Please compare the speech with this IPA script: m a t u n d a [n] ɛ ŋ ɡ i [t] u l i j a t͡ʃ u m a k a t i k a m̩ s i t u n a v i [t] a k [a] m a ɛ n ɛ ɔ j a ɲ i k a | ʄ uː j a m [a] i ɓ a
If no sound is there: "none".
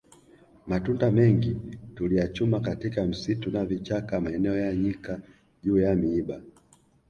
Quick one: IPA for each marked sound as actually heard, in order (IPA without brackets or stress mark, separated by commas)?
m, t, t͡ʃ, a, i